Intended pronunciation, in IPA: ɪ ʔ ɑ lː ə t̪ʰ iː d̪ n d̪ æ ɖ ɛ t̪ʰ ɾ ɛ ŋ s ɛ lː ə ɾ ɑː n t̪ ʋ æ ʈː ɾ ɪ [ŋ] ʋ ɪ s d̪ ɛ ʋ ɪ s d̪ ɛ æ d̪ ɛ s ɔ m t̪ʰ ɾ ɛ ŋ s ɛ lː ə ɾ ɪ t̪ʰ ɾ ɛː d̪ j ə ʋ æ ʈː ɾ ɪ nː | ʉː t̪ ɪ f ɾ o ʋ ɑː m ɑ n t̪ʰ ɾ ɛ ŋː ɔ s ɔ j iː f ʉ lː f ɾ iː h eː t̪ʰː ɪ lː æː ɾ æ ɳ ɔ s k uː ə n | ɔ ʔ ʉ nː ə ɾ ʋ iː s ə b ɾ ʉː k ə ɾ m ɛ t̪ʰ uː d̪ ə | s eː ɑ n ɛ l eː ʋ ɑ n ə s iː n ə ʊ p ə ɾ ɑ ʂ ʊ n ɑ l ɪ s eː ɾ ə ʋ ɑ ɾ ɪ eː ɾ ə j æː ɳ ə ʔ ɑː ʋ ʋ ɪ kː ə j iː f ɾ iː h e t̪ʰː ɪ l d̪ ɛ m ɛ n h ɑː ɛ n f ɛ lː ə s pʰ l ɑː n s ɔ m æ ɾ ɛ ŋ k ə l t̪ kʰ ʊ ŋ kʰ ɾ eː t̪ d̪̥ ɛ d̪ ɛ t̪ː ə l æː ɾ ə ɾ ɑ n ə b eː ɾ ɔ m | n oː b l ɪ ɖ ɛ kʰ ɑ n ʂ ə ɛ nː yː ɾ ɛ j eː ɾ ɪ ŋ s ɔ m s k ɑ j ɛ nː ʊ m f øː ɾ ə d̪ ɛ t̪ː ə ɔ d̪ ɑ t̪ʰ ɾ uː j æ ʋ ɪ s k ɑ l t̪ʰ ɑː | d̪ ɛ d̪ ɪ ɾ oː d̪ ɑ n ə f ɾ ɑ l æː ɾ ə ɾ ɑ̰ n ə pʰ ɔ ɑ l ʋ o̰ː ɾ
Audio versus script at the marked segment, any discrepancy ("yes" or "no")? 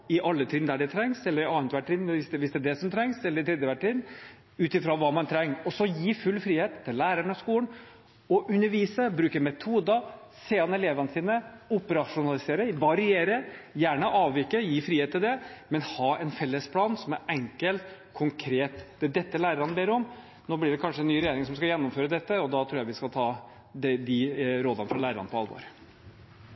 yes